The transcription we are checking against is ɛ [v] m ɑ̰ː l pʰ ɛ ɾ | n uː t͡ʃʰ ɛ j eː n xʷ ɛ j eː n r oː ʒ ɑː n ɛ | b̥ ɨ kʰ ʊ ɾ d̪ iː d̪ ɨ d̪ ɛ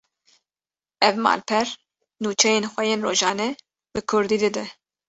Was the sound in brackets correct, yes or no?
yes